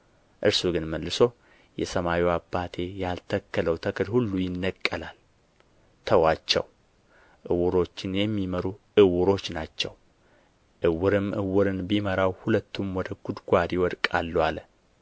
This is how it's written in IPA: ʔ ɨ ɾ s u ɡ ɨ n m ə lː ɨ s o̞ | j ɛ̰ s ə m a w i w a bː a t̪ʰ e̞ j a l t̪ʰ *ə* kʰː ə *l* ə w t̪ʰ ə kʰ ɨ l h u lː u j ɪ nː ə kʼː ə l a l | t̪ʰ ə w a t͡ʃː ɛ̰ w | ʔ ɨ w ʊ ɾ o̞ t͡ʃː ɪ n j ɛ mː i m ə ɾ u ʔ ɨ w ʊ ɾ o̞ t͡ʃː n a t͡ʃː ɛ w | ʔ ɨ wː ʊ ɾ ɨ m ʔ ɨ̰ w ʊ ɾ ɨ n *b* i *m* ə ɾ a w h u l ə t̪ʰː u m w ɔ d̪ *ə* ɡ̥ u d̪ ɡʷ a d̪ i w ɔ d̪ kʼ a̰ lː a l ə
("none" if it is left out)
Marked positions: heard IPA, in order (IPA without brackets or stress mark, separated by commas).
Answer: ə, l, b, m, ə